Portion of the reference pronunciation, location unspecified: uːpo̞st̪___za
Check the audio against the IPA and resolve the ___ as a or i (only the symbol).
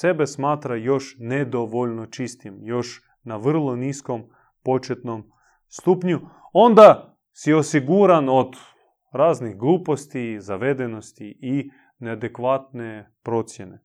i